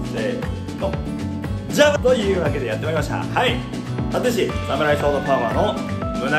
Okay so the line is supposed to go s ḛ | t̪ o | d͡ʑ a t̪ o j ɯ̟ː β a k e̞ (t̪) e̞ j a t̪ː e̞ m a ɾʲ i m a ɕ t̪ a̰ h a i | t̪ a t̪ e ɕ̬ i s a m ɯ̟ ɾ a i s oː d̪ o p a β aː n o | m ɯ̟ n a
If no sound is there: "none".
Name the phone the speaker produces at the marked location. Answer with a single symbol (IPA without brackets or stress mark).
d̪